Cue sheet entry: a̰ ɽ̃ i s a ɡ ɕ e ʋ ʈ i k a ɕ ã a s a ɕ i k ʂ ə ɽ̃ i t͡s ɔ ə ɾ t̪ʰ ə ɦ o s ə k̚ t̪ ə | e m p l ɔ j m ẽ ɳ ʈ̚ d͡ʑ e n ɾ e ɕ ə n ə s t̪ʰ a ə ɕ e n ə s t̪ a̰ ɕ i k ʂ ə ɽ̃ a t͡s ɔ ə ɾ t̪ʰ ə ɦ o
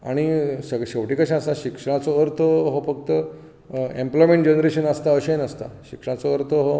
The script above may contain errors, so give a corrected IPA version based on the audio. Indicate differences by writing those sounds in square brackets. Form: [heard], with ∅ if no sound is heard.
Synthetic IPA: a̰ ɽ̃ i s [ə] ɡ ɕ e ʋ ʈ i k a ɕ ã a s a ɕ i k ʂ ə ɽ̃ [a] t͡s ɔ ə ɾ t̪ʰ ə ɦ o [f] ə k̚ t̪ ə | e m p l ɔ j m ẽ ɳ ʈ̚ d͡ʑ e n ɾ e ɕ ə n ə s [t̪] a ə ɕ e n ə s t̪ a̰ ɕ i k ʂ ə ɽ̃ a t͡s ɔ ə ɾ t̪ʰ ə ɦ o